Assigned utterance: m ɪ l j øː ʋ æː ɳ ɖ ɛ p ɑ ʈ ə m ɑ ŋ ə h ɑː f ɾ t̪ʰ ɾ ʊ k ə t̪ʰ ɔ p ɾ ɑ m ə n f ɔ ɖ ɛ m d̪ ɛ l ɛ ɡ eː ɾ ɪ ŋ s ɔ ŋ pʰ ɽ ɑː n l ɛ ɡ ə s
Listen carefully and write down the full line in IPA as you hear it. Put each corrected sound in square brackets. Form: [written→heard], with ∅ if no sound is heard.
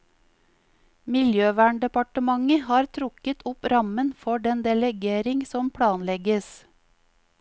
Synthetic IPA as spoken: m ɪ l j øː ʋ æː ɳ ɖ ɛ p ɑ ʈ ə m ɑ ŋ ə h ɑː [f→∅] ɾ t̪ʰ ɾ ʊ k ə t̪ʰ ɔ p ɾ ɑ m ə n f ɔ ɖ ɛ [m→n] d̪ ɛ l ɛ ɡ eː ɾ ɪ ŋ s ɔ [ŋ→m] pʰ ɽ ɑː n l ɛ ɡ ə s